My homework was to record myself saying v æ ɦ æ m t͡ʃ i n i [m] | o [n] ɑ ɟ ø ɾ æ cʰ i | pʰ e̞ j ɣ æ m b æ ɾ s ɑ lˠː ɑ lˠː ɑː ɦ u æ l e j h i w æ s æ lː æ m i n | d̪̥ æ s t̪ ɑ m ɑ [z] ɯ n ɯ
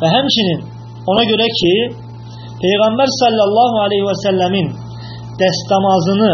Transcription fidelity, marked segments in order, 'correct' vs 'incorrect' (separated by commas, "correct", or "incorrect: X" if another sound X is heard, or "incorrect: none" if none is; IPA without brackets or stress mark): incorrect: n, correct, correct